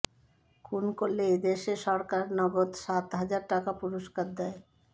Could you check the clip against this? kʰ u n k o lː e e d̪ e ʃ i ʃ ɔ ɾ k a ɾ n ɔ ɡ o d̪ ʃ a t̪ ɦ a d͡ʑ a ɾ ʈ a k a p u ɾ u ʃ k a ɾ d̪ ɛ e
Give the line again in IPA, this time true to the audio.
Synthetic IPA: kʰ u n k o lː e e d̪ e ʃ e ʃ ɔ ɾ k a ɾ n ɔ ɡ o d̪ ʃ a t̪ ɦ a d͡ʑ a ɾ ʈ a k a p u ɾ o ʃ k a ɾ d̪ ɛ e